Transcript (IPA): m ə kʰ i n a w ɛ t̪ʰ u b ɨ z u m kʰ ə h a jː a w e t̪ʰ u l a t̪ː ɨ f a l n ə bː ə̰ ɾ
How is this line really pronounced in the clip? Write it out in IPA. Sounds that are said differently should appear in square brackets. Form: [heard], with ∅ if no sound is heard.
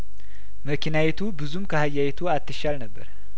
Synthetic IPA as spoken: m ə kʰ i n a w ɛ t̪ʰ u b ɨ z u m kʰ ə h a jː a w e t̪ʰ u [∅] a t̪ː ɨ [ʃ] a l n ə bː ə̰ ɾ